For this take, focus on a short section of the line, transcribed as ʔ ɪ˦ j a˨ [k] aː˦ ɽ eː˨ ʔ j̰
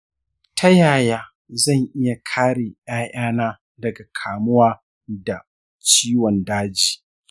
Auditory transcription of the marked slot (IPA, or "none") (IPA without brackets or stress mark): kʰ